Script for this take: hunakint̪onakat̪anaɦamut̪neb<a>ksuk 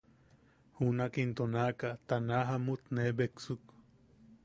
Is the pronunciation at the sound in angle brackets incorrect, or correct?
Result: incorrect